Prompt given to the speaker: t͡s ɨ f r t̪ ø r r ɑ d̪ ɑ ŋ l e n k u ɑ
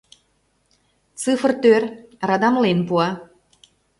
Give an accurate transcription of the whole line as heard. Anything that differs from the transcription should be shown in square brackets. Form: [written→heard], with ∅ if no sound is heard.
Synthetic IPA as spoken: t͡s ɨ f r t̪ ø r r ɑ d̪ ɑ [ŋ→m] l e n [k→p] u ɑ